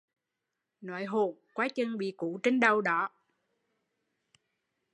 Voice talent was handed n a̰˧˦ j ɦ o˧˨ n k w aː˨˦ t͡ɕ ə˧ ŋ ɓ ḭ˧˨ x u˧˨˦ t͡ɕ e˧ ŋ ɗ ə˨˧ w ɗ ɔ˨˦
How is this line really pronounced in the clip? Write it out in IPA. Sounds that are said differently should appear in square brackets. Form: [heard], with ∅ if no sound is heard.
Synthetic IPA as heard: n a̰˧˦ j ɦ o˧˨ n k w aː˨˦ t͡ɕ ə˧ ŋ ɓ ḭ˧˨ [k] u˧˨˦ t͡ɕ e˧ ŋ ɗ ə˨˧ w ɗ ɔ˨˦